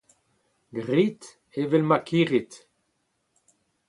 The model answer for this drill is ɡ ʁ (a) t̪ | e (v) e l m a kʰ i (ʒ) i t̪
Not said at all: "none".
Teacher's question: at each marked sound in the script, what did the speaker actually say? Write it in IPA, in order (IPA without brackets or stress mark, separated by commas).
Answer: i, v, ʁ